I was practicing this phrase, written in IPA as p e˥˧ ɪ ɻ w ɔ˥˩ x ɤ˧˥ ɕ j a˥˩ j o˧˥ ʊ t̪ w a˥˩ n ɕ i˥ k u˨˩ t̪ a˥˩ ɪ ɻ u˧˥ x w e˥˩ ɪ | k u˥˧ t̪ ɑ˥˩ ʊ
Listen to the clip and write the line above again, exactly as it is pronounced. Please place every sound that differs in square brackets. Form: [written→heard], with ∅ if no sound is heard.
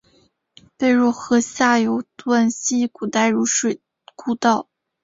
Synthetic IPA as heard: p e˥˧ ɪ ɻ w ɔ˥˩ x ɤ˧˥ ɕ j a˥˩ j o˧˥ ʊ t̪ w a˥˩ n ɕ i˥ k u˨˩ t̪ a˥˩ ɪ ɻ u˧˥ [x→ʂ] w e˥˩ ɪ | k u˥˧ t̪ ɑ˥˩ ʊ